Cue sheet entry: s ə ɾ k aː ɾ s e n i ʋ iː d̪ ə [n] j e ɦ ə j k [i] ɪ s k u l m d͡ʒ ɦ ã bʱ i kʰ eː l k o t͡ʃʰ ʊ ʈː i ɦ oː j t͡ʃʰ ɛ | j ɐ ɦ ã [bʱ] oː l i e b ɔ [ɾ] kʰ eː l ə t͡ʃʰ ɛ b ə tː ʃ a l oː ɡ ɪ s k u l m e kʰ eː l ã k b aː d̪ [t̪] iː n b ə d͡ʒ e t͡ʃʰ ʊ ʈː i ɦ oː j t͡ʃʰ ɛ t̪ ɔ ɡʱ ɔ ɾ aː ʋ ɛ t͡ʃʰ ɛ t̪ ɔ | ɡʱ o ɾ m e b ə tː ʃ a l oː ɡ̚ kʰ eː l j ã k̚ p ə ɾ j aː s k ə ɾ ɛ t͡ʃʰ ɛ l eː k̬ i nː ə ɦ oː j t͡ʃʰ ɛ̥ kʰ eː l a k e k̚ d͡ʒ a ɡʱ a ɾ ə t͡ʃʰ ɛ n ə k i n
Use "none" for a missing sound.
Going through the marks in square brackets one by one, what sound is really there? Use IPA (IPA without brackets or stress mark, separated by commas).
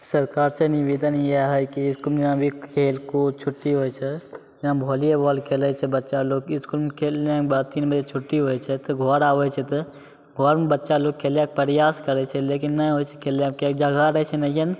n, i, bʱ, l, t̪